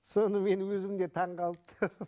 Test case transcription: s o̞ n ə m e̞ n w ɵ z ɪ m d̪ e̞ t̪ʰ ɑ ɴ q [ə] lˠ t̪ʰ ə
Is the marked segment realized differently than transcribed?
yes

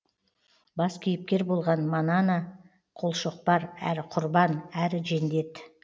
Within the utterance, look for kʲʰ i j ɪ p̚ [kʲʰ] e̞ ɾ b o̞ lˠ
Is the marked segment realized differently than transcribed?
yes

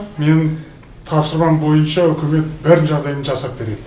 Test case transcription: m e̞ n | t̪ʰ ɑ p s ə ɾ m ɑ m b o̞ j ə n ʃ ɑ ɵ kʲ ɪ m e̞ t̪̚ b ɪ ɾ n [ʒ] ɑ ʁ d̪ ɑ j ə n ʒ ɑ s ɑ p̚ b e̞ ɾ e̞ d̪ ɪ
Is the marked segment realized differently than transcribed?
no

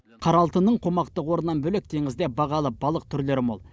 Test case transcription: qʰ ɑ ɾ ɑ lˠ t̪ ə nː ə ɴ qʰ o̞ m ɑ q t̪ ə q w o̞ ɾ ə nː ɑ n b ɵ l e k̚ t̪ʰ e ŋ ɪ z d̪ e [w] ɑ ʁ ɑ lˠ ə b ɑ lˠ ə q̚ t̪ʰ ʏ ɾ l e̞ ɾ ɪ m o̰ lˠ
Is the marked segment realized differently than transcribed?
yes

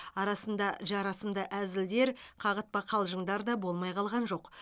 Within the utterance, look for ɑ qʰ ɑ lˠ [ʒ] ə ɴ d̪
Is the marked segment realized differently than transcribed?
no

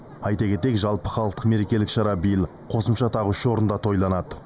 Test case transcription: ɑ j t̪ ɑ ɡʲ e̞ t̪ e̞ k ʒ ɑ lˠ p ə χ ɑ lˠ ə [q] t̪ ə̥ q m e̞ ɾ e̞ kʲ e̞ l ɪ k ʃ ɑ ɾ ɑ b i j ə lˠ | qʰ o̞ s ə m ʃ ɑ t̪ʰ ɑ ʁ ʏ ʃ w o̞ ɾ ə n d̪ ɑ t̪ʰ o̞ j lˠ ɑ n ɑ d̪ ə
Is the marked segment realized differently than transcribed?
no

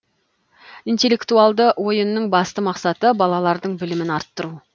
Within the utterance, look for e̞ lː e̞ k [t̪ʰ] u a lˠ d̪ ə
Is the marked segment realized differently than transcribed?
yes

